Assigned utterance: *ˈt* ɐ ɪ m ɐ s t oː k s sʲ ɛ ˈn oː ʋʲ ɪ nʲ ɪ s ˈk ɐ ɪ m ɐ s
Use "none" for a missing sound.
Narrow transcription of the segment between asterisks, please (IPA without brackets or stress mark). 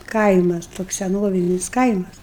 k